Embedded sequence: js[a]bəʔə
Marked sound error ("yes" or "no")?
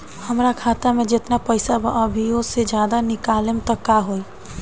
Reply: no